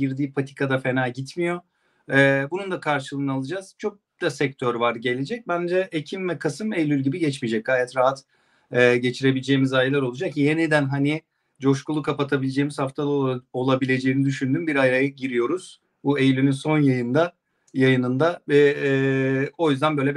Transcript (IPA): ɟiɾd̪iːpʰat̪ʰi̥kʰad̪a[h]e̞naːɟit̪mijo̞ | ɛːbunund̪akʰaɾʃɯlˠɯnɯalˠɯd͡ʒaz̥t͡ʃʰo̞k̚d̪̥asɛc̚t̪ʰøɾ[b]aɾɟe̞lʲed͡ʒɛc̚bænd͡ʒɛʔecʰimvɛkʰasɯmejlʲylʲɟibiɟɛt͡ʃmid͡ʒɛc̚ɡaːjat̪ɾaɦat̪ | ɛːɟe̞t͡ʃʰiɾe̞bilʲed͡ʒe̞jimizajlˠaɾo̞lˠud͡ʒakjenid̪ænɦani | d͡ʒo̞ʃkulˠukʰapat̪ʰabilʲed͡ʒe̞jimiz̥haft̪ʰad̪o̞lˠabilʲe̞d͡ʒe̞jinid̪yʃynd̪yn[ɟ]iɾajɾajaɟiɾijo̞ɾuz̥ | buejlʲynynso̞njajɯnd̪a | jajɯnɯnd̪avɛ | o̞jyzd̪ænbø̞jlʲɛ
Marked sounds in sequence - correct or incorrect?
incorrect, incorrect, incorrect

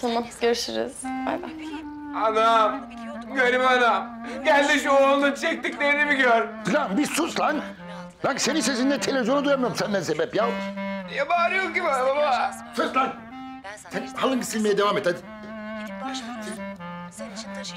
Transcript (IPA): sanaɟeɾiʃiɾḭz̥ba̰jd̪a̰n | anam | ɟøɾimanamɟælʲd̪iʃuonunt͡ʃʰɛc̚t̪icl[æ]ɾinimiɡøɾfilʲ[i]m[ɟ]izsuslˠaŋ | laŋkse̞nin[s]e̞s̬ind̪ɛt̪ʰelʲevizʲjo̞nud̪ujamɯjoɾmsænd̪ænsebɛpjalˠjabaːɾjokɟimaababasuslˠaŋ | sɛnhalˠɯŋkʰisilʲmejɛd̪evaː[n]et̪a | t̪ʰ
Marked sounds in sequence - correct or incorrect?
incorrect, incorrect, incorrect, correct, incorrect

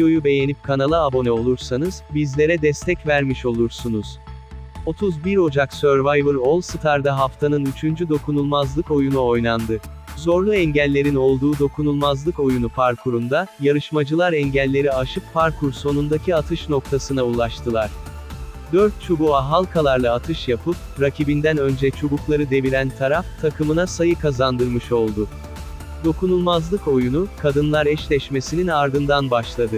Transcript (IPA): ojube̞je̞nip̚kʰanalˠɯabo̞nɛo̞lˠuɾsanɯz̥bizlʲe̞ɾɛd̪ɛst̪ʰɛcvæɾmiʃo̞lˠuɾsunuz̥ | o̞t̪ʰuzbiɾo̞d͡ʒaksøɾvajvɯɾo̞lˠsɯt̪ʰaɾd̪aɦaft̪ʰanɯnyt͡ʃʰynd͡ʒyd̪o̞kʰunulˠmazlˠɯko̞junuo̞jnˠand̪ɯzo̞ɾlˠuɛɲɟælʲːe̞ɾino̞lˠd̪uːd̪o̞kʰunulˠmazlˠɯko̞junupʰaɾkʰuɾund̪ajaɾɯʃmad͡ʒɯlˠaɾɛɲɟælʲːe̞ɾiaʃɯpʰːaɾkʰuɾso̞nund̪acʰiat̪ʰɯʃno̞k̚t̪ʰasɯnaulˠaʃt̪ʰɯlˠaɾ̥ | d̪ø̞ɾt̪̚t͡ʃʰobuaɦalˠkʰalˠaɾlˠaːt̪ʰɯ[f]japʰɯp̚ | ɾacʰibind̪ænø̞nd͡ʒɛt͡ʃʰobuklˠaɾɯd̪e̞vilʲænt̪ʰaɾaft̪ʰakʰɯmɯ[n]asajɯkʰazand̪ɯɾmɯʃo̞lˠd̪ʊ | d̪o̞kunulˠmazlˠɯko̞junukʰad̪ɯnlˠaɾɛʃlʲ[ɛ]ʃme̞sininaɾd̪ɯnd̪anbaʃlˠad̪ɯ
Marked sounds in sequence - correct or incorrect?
incorrect, correct, correct

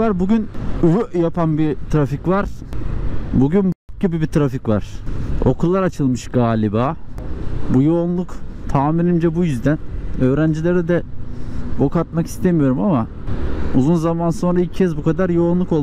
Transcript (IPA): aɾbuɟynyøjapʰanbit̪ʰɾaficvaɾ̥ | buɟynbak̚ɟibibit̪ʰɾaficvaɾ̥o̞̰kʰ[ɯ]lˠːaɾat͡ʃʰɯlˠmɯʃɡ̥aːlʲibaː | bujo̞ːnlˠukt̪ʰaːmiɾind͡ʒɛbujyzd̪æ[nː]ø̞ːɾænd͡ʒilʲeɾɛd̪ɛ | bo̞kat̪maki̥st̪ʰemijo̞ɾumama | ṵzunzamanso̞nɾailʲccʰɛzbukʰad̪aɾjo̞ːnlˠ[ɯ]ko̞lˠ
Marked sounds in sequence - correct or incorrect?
incorrect, incorrect, incorrect

